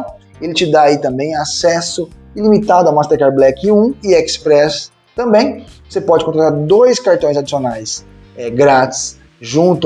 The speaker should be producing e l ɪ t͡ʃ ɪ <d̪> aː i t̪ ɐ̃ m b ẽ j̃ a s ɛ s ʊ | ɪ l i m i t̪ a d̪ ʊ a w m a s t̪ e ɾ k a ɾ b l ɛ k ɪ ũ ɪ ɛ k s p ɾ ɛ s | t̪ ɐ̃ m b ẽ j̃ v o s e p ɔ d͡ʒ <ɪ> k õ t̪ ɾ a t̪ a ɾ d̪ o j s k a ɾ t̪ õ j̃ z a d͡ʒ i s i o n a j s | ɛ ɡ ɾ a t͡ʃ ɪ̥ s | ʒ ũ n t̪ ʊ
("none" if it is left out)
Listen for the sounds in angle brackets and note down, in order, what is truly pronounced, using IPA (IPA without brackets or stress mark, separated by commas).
d̪, ɪ